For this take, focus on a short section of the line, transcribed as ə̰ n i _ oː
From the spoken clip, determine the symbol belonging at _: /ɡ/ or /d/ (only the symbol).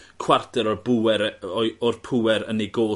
ɡ